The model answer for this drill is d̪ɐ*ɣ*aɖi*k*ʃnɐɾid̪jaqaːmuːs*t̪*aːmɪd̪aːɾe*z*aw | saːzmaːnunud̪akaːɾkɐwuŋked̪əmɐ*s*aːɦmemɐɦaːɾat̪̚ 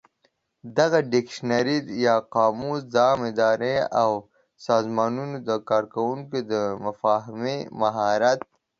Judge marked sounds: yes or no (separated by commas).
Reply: yes, yes, no, no, no